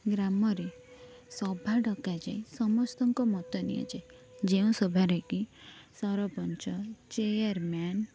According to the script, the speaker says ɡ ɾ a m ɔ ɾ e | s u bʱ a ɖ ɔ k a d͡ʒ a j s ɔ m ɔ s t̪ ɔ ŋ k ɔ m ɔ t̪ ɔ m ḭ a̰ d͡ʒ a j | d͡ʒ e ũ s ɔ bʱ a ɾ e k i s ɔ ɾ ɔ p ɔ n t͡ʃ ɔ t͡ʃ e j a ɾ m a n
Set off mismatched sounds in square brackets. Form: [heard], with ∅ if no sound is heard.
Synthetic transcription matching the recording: ɡ ɾ a m ɔ ɾ e | s [ɔ] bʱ a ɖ ɔ k a d͡ʒ a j s ɔ m ɔ s t̪ ɔ ŋ k ɔ m ɔ t̪ ɔ [n] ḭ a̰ d͡ʒ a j | d͡ʒ e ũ s ɔ bʱ a ɾ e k i s ɔ ɾ ɔ p ɔ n t͡ʃ ɔ t͡ʃ e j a ɾ m a n